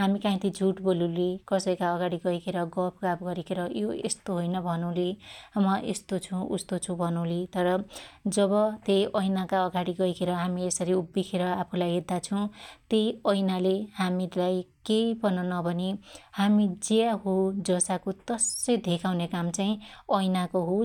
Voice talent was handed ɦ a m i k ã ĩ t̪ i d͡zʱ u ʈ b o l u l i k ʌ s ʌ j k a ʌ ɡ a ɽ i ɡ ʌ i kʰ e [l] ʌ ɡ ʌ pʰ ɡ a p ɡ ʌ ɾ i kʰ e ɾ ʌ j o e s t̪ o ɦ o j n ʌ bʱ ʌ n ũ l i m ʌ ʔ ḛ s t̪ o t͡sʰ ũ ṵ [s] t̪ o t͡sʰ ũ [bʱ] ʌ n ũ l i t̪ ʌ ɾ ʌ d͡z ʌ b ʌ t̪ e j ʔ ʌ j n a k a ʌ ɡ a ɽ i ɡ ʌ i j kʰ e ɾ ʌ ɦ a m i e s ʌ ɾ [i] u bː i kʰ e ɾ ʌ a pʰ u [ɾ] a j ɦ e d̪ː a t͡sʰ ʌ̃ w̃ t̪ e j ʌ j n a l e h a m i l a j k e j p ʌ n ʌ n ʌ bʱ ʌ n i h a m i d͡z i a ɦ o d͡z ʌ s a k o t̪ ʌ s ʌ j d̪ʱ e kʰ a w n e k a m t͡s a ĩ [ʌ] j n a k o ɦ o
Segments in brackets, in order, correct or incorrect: incorrect: ɾ, correct, correct, correct, incorrect: l, correct

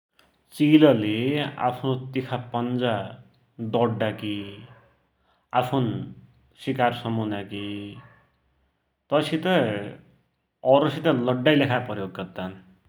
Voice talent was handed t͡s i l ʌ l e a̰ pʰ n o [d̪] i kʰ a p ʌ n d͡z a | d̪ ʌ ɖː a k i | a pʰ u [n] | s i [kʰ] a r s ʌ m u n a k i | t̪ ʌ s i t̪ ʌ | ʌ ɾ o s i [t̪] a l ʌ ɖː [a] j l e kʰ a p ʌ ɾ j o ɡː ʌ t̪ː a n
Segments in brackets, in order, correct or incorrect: incorrect: t̪, correct, incorrect: k, correct, correct

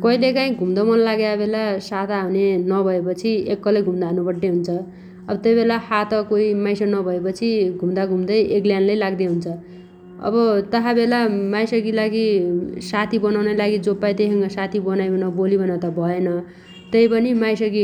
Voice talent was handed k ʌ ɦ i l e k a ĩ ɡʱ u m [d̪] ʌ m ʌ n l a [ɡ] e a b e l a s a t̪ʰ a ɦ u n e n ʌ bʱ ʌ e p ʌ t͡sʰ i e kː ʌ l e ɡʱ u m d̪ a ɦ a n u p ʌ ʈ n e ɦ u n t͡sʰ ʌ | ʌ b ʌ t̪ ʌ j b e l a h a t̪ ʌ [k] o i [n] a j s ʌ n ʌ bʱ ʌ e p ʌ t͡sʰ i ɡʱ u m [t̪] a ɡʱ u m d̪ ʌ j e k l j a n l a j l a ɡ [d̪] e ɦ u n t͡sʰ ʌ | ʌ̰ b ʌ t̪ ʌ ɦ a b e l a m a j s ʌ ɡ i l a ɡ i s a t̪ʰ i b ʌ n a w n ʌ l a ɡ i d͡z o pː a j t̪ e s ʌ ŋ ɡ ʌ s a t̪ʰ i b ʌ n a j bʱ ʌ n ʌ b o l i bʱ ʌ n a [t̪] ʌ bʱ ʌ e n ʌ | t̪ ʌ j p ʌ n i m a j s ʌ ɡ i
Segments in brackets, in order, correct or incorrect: correct, correct, correct, incorrect: m, incorrect: d̪, correct, correct

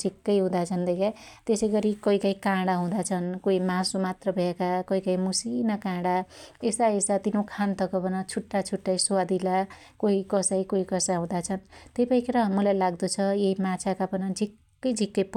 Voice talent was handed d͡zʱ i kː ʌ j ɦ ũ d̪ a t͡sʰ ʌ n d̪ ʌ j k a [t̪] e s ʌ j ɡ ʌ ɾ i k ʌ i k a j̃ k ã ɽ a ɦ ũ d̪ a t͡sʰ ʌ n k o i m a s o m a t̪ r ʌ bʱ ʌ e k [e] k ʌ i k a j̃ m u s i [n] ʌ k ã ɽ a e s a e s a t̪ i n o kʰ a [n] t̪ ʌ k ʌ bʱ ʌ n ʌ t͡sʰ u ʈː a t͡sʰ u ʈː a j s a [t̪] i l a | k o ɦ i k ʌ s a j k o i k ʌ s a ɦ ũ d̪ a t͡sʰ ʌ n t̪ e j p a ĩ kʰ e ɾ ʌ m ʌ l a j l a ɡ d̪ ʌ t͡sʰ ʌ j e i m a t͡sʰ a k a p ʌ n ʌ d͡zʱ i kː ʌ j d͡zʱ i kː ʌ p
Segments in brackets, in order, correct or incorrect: correct, incorrect: a, correct, correct, incorrect: d̪

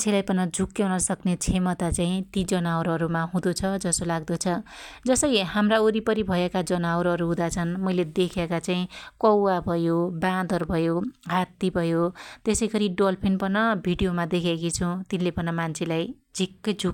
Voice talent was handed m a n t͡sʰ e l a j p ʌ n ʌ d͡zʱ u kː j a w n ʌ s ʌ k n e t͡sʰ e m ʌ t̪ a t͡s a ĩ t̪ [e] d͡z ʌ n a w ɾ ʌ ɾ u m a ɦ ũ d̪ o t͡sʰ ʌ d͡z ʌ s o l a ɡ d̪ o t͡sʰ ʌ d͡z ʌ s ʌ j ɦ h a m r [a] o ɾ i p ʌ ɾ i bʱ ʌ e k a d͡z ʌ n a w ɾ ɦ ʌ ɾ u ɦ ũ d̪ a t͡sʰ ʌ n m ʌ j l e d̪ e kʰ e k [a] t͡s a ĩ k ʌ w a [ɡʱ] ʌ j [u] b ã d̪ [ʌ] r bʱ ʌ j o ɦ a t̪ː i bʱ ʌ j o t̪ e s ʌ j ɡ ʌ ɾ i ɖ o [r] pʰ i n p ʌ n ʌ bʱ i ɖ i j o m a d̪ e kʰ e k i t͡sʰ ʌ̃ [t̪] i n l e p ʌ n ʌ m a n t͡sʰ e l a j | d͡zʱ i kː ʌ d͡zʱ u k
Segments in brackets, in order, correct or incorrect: incorrect: i, correct, correct, incorrect: bʱ, incorrect: o, correct, incorrect: l, correct

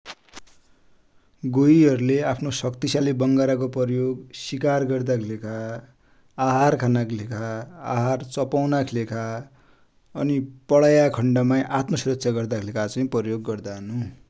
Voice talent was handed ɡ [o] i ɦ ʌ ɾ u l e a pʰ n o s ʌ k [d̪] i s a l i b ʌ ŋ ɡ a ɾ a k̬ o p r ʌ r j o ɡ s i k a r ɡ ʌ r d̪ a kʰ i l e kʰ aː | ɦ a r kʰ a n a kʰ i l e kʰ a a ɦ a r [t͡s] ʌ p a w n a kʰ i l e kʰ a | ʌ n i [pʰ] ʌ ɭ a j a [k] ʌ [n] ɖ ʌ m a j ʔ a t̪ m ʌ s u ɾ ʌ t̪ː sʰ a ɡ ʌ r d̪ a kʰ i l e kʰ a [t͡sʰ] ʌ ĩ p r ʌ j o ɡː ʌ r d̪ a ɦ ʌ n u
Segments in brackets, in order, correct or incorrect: correct, incorrect: t̪, correct, incorrect: p, incorrect: kʰ, incorrect: ɳ, incorrect: t͡s

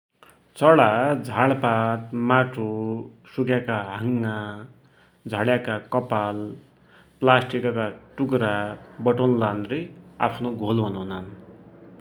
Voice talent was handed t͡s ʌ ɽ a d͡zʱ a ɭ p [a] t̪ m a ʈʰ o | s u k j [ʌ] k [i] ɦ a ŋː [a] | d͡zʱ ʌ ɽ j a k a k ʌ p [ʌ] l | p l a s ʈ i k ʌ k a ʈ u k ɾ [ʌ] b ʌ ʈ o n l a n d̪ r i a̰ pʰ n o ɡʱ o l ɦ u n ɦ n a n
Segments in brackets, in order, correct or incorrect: correct, incorrect: a, incorrect: a, correct, incorrect: a, incorrect: a

